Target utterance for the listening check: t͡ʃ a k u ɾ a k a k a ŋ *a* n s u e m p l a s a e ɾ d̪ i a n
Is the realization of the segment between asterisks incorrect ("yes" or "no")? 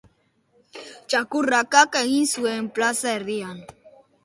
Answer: yes